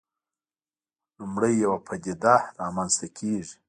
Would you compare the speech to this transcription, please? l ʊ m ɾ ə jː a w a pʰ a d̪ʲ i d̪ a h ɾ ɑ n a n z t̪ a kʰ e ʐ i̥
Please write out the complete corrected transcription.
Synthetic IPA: l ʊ m ɽ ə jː a w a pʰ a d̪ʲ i d̪ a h ɾ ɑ m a n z t̪ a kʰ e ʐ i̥